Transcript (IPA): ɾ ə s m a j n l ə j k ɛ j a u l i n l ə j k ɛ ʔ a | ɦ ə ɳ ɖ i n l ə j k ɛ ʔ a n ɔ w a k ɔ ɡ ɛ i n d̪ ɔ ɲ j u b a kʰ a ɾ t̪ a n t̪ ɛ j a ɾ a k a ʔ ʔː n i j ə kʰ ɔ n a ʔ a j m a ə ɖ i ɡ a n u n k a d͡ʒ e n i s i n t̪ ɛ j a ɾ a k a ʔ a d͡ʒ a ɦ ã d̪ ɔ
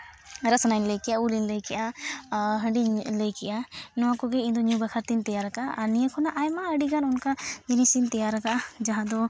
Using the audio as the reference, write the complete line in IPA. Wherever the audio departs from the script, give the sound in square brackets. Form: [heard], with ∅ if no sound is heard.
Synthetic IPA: ɾ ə s [n] a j n l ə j k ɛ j a u l i n l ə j k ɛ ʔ a | ɦ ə ɳ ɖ i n l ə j k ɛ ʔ a n ɔ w a k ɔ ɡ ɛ i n d̪ ɔ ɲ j u b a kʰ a ɾ t̪ [i] n t̪ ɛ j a ɾ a k a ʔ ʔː n i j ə kʰ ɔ n a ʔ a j m a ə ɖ i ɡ a n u n k a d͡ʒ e n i s i n t̪ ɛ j a ɾ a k a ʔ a d͡ʒ a ɦ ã d̪ ɔ